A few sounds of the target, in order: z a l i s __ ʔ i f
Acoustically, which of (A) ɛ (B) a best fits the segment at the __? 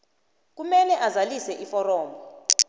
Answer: A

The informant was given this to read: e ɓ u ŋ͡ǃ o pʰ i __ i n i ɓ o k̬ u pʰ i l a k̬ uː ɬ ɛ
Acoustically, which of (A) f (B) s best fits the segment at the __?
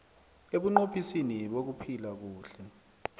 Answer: B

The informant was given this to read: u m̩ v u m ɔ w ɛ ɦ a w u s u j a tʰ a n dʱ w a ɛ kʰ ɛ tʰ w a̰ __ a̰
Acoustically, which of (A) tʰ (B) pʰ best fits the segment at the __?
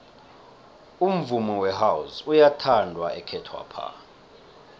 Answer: B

